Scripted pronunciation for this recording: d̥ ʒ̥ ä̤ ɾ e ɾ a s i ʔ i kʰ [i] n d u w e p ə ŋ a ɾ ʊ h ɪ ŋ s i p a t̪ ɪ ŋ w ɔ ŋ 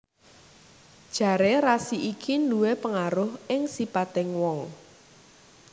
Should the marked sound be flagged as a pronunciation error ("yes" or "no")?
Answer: no